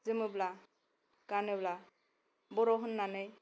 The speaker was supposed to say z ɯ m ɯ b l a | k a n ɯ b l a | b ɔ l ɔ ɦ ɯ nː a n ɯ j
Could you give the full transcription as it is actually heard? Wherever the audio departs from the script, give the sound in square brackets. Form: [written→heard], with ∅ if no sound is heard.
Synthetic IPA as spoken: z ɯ m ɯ b l a | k a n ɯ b l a | b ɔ [l→ɾ] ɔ ɦ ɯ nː a n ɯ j